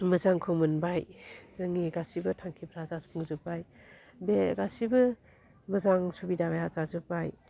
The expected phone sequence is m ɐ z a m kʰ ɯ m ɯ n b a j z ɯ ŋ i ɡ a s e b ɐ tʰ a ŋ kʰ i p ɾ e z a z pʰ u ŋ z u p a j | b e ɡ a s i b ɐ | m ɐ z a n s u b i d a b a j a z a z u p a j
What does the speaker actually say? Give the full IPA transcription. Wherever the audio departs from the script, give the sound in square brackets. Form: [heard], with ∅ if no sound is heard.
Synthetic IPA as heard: m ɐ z a [ŋ] kʰ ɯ m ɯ n b a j z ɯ ŋ i ɡ a s [i] b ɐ tʰ a ŋ kʰ i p ɾ [a] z a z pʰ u ŋ z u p a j | b e ɡ a s i b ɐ | m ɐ z a [ŋ] s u b i d a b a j a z a z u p a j

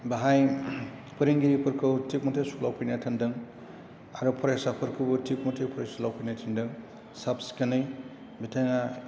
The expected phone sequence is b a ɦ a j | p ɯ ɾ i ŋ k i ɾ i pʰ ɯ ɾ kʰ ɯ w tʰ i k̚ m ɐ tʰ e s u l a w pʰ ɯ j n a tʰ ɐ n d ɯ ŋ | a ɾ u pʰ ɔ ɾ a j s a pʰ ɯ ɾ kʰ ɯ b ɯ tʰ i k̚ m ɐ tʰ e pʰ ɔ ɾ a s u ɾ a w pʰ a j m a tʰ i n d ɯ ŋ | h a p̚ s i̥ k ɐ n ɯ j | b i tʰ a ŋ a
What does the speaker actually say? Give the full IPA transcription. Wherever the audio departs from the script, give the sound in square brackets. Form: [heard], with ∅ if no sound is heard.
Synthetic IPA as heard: b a ɦ a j | p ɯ ɾ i ŋ [ɡ] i ɾ i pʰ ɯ ɾ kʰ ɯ w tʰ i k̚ m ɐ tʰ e s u l a w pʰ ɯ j n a tʰ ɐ n d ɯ ŋ | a ɾ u pʰ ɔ ɾ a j s a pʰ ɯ ɾ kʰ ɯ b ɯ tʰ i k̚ m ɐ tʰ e pʰ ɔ ɾ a s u [l] a w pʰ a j [n] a tʰ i n d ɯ ŋ | [s] a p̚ s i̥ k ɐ n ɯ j | b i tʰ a ŋ a

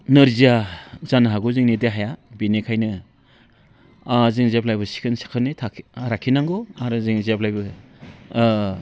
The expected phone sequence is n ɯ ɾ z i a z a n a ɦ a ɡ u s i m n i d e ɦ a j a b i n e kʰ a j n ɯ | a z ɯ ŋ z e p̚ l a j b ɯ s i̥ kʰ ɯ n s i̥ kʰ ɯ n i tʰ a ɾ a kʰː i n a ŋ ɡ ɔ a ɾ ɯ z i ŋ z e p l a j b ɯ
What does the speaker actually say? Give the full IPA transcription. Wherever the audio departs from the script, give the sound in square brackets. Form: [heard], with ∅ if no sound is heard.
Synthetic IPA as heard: n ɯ ɾ z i a z a n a ɦ a ɡ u [z] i [ŋ] n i d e ɦ a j a b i n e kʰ a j n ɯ | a z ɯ ŋ z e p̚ l a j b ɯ s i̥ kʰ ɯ n s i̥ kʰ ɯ n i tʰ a ɾ a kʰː i n a ŋ ɡ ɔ a ɾ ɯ z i ŋ z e p l a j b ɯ

